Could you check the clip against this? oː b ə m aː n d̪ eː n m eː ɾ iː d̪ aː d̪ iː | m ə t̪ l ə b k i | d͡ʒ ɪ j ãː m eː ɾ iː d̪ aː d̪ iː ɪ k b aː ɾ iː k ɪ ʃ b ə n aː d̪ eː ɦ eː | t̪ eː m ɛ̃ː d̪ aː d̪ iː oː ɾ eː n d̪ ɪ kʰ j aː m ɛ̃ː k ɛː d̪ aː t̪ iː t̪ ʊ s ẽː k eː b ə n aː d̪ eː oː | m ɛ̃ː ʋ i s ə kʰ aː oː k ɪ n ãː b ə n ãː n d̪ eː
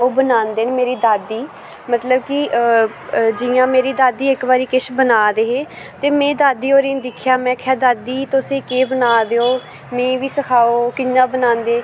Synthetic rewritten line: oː b ə n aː n d̪ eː n m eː ɾ iː d̪ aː d̪ iː | m ə t̪ l ə b k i | d͡ʒ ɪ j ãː m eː ɾ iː d̪ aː d̪ iː ɪ k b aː ɾ iː k ɪ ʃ b ə n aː d̪ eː ɦ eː | t̪ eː m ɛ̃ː d̪ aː d̪ iː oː ɾ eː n d̪ ɪ kʰ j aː m ɛ̃ː kʰ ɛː d̪ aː d̪ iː t̪ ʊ s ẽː k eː b ə n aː d̪ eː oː | m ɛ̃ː ʋ iː s ə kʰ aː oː k ɪ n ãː b ə n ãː n d̪ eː

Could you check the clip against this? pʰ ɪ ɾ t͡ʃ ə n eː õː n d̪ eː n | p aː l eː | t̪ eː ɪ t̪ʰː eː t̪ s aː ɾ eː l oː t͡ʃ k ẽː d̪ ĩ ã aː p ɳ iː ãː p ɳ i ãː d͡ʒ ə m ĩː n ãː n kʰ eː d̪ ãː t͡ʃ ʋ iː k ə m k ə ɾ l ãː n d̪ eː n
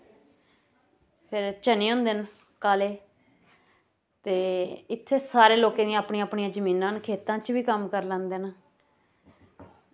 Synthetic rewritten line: pʰ ɪ ɾ t͡ʃ ə n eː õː n d̪ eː n | k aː l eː | t̪ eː ɪ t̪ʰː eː s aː ɾ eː l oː k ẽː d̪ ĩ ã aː p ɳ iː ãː p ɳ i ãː d͡ʒ ə m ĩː n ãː n kʰ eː t̪ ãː t͡ʃ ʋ iː k ə m k ə ɾ l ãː n d̪ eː n

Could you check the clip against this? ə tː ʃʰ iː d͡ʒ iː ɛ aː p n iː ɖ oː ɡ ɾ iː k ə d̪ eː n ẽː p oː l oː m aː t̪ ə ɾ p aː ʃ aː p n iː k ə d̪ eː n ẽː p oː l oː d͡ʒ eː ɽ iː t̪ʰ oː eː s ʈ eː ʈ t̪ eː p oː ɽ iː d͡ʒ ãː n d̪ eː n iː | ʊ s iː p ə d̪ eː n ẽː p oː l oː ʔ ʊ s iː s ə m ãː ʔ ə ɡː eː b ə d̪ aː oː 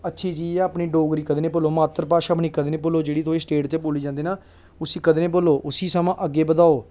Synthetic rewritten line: ə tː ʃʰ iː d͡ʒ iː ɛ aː p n iː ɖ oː ɡ ɾ iː k ə d̪ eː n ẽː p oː l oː m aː t̪ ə ɾ p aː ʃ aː p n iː k ə d̪ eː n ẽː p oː l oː d͡ʒ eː ɽ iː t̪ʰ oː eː s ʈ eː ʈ t̪ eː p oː l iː d͡ʒ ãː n d̪ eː n aː | ʊ s iː k ə d̪ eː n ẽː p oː l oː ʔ ʊ s iː s ə m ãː ʔ ə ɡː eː b ə d̪ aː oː

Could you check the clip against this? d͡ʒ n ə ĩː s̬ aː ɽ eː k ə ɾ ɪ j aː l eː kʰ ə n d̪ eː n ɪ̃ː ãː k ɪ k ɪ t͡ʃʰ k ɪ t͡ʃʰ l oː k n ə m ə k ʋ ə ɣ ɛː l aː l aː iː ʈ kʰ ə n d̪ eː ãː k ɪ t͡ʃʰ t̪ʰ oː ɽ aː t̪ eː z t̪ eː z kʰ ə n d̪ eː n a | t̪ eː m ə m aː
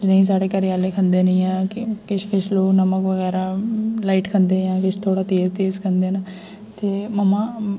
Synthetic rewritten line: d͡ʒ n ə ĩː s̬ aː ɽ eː k ə ɾ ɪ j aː l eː kʰ ə n d̪ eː n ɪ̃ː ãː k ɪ k ɪ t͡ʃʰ k ɪ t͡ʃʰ l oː k n ə m ə k ʋ ə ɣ ɛː ɾ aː l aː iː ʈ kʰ ə n d̪ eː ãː k ɪ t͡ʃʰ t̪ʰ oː ɽ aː t̪ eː z t̪ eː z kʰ ə n d̪ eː n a | t̪ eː m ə m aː

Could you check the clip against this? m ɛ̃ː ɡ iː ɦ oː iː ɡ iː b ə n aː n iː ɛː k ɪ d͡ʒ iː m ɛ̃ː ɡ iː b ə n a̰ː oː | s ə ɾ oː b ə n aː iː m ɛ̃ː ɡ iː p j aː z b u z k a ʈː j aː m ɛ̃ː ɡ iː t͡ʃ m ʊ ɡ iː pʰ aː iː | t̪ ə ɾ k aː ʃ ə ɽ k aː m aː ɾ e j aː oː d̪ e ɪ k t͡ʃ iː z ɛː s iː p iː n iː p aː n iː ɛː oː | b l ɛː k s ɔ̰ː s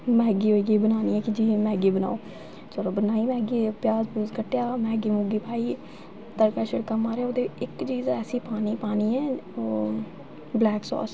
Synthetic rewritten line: m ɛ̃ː ɡ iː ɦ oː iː ɡ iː b ə n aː n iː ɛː k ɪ d͡ʒ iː m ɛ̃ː ɡ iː b ə n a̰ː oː | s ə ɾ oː b ə n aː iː m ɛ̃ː ɡ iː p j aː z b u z k ə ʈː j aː m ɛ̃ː ɡ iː m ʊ ɡ iː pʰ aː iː | t̪ ə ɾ k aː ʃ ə ɽ k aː m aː ɾ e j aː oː d̪ e ɪ k t͡ʃ iː z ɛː s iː p aː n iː p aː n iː ɛː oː | b l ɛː k s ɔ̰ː s

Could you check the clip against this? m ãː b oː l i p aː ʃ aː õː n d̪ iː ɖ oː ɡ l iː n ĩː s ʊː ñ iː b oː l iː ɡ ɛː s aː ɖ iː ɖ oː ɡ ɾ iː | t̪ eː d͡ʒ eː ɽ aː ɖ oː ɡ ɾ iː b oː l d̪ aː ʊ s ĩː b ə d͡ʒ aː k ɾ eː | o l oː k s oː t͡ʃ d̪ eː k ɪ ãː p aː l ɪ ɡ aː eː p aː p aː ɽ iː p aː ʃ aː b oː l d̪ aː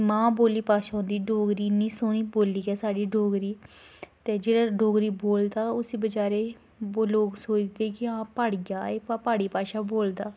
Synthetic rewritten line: m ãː b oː l iː p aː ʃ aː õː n d̪ iː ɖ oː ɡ ɾ iː n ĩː s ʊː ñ iː b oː l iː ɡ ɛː s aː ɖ iː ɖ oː ɡ ɾ iː | t̪ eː d͡ʒ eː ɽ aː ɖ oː ɡ ɾ iː b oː l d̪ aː ʊ s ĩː b ə d͡ʒ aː ɾ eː | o l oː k s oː t͡ʃ d̪ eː k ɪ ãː p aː ɽ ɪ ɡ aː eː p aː p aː ɽ iː p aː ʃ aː b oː l d̪ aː

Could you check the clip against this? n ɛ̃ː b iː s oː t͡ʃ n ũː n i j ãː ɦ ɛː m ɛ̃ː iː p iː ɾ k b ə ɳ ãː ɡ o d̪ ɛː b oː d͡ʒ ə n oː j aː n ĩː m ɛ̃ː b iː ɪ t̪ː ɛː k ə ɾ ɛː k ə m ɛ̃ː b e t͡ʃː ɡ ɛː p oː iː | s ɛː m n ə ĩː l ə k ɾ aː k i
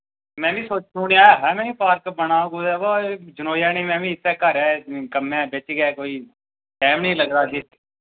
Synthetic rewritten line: m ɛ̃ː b iː s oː t͡ʃ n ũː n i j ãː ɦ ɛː m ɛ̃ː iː p aː ɾ k b ə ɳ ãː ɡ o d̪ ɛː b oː d͡ʒ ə n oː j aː n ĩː m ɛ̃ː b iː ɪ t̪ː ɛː k ə ɾ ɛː k ə m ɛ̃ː b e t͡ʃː ɡ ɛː k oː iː | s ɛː m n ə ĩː l ə ɡ ɾ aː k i

